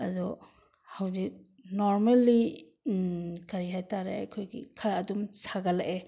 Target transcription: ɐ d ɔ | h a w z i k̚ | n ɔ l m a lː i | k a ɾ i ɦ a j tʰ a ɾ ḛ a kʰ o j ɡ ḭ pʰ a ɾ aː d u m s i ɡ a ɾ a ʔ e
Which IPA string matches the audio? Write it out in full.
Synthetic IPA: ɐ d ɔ | h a w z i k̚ | n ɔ ɾ m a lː i | k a ɾ i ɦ a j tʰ a ɾ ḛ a kʰ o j ɡ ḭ kʰ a ɾ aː d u m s a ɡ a l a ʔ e